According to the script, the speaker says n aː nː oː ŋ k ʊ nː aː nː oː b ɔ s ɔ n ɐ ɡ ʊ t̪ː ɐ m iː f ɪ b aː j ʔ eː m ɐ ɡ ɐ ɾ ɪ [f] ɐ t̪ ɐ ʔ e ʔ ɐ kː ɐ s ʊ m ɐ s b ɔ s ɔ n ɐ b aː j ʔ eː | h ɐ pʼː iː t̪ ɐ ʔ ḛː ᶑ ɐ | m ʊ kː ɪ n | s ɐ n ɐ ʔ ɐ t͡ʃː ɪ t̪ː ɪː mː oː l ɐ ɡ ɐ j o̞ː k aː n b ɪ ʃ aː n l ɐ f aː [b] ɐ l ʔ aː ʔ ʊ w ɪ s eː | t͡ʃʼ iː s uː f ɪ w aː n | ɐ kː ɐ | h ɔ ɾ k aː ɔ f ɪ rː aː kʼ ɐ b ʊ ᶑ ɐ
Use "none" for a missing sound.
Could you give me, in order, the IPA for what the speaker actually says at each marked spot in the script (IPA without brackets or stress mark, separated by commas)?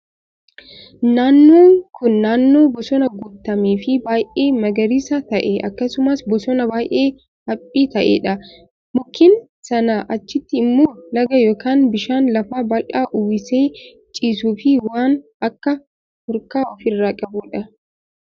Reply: s, b